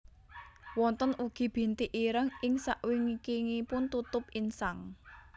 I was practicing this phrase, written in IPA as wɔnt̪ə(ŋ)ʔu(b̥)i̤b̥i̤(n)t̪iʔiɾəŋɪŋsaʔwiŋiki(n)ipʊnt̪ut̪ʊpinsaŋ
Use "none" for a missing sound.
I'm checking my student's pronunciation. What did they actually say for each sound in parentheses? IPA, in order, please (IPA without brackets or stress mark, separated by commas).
n, ɡ̥, n, ŋ